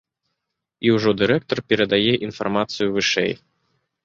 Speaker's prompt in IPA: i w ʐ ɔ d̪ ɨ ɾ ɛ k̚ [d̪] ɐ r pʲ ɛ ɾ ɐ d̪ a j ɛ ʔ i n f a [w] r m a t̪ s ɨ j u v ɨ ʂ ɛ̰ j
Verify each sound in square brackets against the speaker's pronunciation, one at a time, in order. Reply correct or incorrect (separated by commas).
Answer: incorrect, incorrect